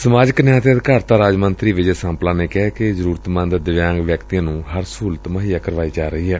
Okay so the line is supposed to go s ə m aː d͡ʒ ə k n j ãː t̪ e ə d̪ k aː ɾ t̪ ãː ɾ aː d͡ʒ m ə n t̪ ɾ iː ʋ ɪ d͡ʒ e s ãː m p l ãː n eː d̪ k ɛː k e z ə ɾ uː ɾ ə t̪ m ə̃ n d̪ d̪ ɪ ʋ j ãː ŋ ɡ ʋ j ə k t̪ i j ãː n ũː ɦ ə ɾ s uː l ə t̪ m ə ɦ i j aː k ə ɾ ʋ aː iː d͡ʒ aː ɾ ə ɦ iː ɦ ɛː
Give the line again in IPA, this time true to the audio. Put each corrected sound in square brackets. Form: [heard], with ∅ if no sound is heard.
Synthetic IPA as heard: s ə m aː d͡ʒ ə k n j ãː t̪ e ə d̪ k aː ɾ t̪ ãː ɾ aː d͡ʒ m ə n t̪ ɾ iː ʋ ɪ d͡ʒ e s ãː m p l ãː n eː [∅] k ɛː k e z ə ɾ uː ɾ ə t̪ m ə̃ n d̪ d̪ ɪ ʋ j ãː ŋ ɡ ʋ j ə k t̪ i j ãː n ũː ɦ ə ɾ s uː l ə t̪ m ə ɦ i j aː k ə ɾ ʋ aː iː d͡ʒ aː ɾ ə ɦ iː ɦ ɛː